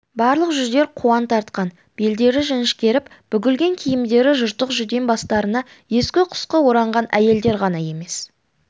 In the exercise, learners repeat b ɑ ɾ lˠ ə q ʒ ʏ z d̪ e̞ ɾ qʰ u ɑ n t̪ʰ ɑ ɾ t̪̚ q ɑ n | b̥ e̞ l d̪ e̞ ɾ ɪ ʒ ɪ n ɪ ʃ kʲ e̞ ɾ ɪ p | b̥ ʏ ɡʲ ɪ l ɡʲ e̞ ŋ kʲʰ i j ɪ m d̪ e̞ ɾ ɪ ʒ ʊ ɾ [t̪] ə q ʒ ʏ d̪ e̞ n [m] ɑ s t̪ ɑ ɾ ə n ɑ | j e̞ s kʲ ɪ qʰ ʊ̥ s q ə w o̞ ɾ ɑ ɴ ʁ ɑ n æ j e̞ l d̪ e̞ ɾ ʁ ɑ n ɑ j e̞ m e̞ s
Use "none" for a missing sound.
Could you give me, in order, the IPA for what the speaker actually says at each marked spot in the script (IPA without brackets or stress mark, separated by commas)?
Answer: t̪, b